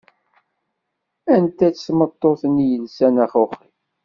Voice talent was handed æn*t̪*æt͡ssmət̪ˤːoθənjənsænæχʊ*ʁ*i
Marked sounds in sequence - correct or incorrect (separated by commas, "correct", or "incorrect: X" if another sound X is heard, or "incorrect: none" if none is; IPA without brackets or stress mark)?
correct, incorrect: χ